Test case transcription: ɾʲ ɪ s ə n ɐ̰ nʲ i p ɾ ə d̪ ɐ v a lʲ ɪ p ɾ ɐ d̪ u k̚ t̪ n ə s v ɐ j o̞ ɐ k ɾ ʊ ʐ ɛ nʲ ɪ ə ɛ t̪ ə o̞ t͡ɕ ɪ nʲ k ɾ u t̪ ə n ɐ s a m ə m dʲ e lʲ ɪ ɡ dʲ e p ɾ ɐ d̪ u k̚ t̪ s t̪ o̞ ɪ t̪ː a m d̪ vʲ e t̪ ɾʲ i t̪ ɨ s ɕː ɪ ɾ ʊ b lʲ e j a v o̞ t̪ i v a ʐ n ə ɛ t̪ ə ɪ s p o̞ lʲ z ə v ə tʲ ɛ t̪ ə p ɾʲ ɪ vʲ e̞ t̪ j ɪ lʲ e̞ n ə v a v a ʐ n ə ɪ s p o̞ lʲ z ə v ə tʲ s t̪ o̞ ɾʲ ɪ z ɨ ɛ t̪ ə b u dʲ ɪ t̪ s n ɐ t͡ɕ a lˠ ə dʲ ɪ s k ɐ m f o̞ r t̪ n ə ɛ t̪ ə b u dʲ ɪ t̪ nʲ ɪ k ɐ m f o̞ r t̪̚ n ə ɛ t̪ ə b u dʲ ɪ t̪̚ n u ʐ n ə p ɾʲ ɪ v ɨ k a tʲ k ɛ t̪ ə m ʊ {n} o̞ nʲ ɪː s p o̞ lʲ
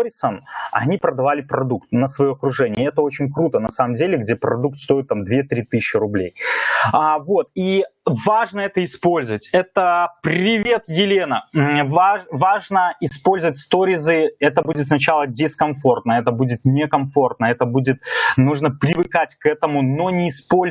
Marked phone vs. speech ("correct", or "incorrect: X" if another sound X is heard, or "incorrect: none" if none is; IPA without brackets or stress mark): correct